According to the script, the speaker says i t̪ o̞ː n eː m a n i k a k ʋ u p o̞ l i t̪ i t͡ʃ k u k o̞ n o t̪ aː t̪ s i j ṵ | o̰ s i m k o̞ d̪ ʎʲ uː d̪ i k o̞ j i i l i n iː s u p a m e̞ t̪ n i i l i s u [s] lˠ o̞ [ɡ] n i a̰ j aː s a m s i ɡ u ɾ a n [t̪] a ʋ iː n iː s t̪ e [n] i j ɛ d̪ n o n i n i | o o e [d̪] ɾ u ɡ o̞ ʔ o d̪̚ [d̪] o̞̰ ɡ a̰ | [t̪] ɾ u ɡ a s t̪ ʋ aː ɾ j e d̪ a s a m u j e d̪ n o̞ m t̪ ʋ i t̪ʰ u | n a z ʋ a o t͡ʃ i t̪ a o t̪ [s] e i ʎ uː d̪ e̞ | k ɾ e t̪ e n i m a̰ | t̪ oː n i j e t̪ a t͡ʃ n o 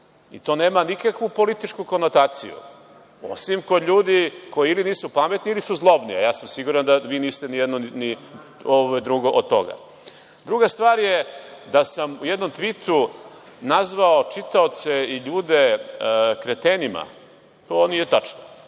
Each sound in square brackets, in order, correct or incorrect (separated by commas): incorrect, incorrect, incorrect, correct, correct, incorrect, incorrect, correct